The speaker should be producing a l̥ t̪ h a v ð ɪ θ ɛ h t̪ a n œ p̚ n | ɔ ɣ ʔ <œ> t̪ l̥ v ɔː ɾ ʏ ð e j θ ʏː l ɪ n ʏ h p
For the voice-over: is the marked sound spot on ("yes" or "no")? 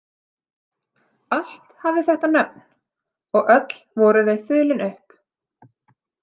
yes